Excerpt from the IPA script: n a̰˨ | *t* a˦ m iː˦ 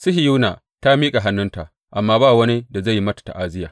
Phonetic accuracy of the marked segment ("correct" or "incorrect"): correct